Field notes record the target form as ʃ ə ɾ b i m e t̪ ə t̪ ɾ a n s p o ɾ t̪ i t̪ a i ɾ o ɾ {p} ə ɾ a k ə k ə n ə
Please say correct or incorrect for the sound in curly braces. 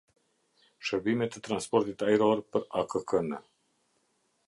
correct